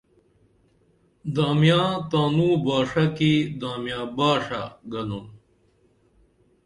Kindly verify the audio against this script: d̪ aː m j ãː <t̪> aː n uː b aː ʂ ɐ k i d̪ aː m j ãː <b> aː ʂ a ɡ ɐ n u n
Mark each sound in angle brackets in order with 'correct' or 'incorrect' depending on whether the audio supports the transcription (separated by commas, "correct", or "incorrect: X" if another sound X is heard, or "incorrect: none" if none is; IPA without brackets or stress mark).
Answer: correct, correct